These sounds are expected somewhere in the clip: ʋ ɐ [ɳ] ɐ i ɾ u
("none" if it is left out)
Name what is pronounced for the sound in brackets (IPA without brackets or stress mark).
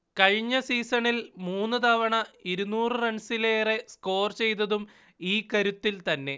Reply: ɳ